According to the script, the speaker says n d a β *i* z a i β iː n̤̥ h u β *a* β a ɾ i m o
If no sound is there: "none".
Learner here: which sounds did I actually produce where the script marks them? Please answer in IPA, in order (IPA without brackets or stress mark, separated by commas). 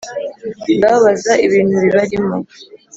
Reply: a, i